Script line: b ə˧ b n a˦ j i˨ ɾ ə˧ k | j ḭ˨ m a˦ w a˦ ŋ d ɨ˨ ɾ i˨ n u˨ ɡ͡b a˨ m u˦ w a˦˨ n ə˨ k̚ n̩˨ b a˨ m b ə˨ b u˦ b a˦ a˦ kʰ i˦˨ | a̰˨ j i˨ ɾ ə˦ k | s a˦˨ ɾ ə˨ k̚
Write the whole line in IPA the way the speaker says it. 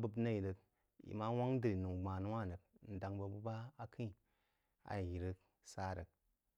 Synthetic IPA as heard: b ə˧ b n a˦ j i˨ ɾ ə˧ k | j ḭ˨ m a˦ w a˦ ŋ d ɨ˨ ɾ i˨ n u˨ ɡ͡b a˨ n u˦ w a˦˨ n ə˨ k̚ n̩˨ d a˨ ŋ b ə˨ b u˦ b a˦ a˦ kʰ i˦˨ | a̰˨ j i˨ ɾ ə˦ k | s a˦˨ ɾ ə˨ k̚